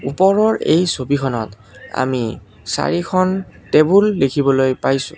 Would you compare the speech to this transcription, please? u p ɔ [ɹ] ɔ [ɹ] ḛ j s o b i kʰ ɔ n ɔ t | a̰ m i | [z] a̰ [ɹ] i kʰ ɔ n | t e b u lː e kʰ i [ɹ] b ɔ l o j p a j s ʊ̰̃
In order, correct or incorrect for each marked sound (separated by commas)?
correct, correct, incorrect, correct, incorrect